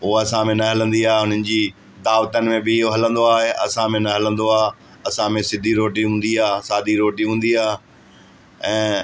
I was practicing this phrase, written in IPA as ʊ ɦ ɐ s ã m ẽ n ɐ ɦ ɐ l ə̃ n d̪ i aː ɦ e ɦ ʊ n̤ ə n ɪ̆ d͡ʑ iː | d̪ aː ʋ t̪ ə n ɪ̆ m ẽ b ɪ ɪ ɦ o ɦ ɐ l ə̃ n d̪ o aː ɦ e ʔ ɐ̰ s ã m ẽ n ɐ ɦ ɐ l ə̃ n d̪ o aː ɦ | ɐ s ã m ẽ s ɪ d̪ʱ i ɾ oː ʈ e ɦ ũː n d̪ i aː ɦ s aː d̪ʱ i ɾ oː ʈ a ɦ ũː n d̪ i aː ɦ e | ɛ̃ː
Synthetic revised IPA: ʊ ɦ ɐ s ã m ẽ n ɐ ɦ ɐ l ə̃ n d̪ i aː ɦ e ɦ ʊ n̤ ə n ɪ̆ d͡ʑ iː | d̪ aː ʋ t̪ ə n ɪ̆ m ẽ b ɪ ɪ ɦ o ɦ ɐ l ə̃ n d̪ o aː ɦ e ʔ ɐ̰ s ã m ẽ n ɐ ɦ ɐ l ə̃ n d̪ o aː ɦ | ɐ s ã m ẽ s ɪ d̪ʱ i ɾ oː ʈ i ɦ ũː n d̪ i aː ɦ s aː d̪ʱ i ɾ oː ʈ i ɦ ũː n d̪ i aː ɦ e | ɛ̃ː